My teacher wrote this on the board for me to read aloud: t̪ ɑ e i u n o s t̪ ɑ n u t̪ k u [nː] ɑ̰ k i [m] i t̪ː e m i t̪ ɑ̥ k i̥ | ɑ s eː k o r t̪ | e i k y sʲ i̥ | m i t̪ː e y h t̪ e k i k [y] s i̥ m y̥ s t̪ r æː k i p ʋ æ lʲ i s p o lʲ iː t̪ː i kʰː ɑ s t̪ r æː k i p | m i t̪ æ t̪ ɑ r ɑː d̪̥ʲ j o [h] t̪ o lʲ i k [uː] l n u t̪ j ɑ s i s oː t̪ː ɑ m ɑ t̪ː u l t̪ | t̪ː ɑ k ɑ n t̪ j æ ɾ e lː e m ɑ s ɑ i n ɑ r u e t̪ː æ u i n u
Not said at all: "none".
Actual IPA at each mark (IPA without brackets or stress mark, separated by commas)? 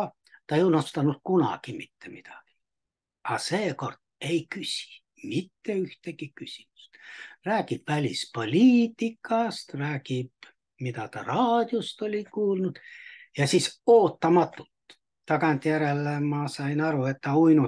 n, m, y, s, uː